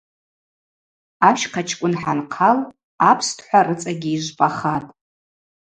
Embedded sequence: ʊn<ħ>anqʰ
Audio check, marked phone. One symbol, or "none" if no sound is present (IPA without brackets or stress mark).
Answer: ħ